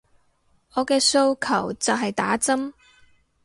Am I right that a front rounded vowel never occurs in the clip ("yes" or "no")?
yes